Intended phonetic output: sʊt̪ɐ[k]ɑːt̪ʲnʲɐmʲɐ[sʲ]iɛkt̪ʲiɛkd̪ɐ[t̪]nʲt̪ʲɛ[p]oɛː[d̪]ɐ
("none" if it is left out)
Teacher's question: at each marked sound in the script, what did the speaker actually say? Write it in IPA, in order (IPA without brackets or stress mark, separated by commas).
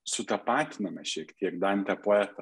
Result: p, ʃʲ, none, p, t̪